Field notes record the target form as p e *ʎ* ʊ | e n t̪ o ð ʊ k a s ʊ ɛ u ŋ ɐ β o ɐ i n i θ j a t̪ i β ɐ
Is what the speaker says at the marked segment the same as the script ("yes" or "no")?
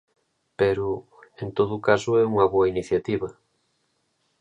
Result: no